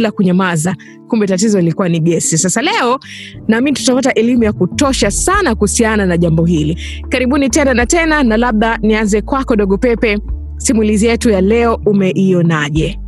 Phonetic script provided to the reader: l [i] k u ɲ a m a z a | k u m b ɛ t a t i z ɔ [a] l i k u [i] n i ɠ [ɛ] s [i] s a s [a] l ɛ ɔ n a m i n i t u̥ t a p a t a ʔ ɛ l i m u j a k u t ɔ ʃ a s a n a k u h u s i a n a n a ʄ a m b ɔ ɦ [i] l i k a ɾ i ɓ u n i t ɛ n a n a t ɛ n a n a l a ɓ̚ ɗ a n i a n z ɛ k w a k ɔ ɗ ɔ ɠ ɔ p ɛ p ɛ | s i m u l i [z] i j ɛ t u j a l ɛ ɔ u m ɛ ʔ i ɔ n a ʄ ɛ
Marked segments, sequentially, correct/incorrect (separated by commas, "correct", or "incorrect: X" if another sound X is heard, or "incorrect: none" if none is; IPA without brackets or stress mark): incorrect: a, incorrect: i, incorrect: a, correct, correct, correct, correct, correct